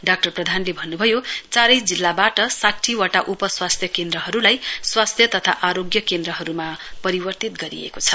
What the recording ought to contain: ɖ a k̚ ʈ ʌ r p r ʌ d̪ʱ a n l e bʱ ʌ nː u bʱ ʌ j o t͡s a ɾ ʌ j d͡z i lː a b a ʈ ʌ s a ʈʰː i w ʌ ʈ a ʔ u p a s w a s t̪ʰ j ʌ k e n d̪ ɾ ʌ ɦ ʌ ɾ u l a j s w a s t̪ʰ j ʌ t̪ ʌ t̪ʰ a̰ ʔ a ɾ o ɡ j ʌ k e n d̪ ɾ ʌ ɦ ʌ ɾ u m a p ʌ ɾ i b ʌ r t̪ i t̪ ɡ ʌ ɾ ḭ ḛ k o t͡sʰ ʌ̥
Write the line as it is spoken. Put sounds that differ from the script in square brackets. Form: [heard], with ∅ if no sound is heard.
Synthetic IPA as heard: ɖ a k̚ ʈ ʌ r p r ʌ d̪ʱ a n l e bʱ ʌ nː u bʱ ʌ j o t͡s a ɾ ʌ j d͡z i lː a b a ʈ ʌ s a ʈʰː i w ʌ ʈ a ʔ u p [ʌ] s w a s t̪ʰ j ʌ k e n d̪ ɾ ʌ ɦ ʌ ɾ u l a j s w a s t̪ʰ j ʌ t̪ ʌ t̪ʰ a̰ ʔ a ɾ o ɡ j ʌ k e n d̪ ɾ ʌ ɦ ʌ ɾ u m a p ʌ ɾ i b ʌ r t̪ i t̪ ɡ ʌ ɾ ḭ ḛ k o t͡sʰ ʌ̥

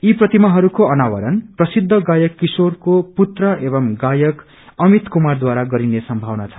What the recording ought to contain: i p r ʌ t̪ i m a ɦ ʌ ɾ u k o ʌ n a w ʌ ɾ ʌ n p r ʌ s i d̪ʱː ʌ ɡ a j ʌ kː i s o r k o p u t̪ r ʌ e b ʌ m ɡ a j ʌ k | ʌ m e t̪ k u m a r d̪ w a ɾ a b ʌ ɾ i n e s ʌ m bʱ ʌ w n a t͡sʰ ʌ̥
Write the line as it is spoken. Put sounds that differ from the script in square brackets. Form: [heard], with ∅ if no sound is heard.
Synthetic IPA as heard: i p r ʌ t̪ i m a ɦ ʌ ɾ u k o ʌ n a w ʌ ɾ ʌ n p r ʌ s i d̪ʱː ʌ ɡ a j ʌ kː i s o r k o p u t̪ r ʌ e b ʌ m ɡ a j ʌ k | ʌ m [i] t̪ k u m a r d̪ w a ɾ a [ɡ] ʌ ɾ i n e s ʌ m bʱ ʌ w n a t͡sʰ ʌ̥

